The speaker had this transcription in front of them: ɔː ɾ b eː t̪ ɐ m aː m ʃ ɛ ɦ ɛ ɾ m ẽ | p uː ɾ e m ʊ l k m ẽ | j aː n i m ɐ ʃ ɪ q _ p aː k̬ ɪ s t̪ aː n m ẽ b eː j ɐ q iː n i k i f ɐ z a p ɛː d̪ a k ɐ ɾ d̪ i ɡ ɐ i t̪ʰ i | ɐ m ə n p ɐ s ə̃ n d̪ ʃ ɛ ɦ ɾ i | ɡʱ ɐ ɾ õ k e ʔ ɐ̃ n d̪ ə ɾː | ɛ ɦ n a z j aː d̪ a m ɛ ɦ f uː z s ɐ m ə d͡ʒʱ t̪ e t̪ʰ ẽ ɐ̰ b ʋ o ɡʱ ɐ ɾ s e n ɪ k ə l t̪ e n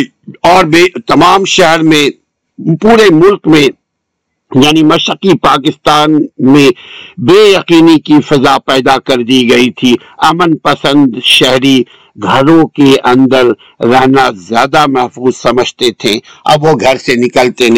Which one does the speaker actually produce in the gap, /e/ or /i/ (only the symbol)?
i